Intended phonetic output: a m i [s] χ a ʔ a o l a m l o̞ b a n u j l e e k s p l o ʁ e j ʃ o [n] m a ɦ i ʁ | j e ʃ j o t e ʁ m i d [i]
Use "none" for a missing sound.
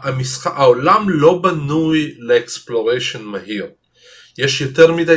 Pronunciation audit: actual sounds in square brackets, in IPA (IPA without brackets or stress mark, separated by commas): s, n, a